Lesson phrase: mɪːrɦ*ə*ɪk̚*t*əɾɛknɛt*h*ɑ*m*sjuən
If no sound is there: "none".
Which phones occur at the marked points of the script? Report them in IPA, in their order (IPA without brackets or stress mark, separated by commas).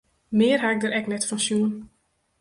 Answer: a, d, f, n